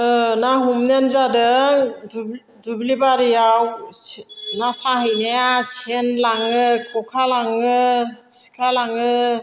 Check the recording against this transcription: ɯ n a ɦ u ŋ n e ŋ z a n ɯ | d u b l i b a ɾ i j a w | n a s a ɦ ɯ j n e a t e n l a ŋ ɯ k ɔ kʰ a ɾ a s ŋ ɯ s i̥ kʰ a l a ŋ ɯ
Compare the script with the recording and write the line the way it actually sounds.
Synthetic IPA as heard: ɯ n a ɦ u m n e n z a d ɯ | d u b l i b a ɾ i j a w | n a s a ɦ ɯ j n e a s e n l a ŋ ɯ k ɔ kʰ a l a ŋ ɯ s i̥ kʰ a l a ŋ ɯ